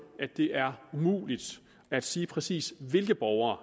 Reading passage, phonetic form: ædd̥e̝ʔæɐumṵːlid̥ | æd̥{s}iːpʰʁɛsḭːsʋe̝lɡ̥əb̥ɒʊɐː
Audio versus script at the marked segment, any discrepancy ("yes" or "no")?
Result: no